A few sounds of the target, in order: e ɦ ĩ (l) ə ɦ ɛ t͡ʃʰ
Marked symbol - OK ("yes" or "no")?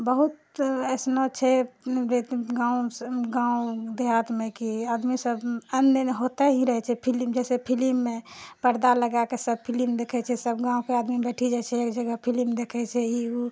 no